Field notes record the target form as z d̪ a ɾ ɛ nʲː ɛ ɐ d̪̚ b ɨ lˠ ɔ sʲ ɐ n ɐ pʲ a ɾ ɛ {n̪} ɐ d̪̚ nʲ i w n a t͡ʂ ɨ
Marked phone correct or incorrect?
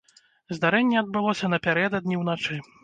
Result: incorrect